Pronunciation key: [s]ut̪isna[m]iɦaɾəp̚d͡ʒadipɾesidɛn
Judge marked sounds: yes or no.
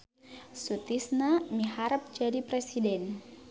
yes, yes

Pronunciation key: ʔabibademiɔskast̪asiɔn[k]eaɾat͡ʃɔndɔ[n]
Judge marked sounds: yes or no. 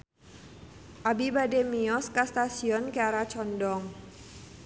yes, no

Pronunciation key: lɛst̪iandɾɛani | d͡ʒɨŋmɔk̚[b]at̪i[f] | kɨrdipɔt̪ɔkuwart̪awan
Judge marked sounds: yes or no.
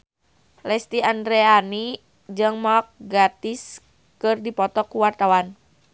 no, no

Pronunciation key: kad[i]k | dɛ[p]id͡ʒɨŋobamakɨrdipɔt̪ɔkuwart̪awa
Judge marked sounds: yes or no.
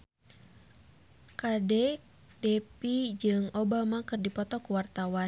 no, yes

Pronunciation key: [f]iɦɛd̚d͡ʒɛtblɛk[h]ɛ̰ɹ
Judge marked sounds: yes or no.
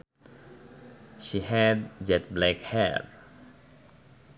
no, yes

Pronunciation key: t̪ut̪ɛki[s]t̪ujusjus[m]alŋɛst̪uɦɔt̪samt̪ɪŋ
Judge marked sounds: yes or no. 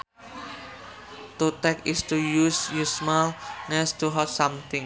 yes, yes

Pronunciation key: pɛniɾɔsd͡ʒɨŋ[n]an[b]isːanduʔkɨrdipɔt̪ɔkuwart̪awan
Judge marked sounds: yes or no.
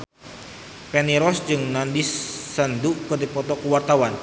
yes, no

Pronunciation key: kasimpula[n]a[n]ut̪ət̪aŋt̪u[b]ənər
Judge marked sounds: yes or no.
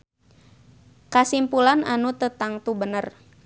yes, yes, yes

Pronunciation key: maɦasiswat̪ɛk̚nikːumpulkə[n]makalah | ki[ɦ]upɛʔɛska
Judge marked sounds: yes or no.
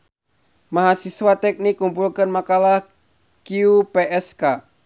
yes, no

